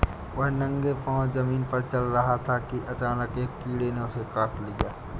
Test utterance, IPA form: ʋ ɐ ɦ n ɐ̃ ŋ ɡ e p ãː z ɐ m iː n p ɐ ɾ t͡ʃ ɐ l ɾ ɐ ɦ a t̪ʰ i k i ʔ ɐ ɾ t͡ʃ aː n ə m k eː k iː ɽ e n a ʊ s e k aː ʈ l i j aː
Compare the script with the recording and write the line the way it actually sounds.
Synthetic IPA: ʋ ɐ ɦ n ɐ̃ ŋ ɡ e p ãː z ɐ m iː n p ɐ ɾ t͡ʃ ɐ l ɾ ɐ ɦ a t̪ʰ a k i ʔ ɐ t͡ʃ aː n ə k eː k iː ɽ e n e ʊ s e k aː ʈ l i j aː